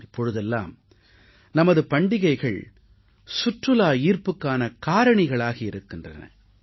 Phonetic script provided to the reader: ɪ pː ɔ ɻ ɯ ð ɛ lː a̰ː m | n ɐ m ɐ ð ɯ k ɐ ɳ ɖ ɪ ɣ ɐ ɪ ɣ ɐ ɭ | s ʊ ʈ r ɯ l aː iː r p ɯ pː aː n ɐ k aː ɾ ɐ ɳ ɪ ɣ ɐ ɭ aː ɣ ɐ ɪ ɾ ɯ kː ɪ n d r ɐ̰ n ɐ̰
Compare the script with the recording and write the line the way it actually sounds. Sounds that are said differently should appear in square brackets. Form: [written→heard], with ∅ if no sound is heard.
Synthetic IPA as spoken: ɪ pː ɔ ɻ ɯ ð ɛ lː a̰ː m | n ɐ m ɐ ð ɯ [k→p] ɐ ɳ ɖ ɪ ɣ ɐ ɪ ɣ ɐ ɭ | s ʊ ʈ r ɯ l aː iː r p ɯ [pː→kː] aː n ɐ k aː ɾ ɐ ɳ ɪ ɣ ɐ ɭ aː ɣ ɐ ɪ ɾ ɯ kː ɪ n d r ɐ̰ n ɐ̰